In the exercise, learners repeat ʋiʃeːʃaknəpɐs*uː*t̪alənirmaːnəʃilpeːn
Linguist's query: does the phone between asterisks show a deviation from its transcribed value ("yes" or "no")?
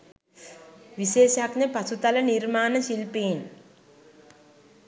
yes